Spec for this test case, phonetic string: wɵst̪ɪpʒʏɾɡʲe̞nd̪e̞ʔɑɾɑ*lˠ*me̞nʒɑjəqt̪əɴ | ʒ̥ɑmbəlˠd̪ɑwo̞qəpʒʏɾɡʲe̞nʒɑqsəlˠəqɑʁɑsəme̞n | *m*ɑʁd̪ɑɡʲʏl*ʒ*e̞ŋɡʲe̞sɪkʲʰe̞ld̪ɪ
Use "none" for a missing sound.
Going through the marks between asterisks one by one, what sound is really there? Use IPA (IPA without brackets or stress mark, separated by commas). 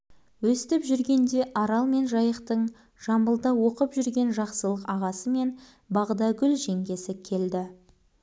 lˠ, b, ʒ